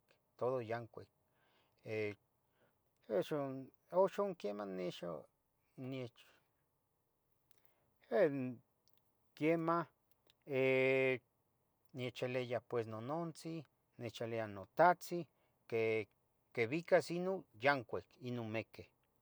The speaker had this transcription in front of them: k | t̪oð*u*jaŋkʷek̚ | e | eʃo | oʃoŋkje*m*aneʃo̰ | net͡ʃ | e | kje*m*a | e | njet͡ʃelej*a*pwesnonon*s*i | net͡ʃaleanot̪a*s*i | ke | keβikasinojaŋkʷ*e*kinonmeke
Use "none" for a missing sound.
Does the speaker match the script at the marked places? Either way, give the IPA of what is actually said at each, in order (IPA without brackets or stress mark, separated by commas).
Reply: o, m, m, a, t͡s, t͡s, e